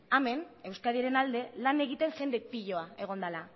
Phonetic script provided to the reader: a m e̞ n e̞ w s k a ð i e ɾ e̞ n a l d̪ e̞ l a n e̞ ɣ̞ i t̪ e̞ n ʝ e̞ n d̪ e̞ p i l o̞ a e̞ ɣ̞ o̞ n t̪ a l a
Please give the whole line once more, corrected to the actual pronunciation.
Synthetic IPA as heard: a m e̞ n e̞ w s k a ð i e ɾ e̞ n a l d̪ e̞ l a n e̞ ɣ̞ i t̪ e̞ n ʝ e̞ n d̪ e̞ p i ʎ o̞ a e̞ ɣ̞ o̞ n d̪ a l a